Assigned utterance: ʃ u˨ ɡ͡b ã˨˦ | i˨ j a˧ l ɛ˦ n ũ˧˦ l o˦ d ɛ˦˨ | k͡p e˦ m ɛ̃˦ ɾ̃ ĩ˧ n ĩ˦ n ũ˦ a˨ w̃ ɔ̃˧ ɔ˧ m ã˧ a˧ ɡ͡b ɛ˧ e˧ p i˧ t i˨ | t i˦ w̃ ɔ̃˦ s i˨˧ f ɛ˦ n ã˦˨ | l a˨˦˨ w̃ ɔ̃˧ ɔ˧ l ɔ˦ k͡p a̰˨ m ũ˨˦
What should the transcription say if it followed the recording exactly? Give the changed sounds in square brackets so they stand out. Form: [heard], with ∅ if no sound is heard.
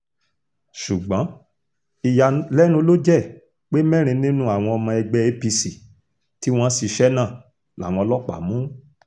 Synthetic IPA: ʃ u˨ ɡ͡b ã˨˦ | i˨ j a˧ l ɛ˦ n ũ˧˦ l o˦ [d͡ʒ] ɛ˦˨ | k͡p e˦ m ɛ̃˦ ɾ̃ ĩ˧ n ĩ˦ n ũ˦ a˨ w̃ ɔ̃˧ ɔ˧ m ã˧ [ɛ˧] ɡ͡b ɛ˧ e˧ p i˧ [s] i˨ | t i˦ w̃ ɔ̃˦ s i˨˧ [ʃ] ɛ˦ n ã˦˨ | l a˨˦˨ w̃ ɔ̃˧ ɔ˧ l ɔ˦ k͡p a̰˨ m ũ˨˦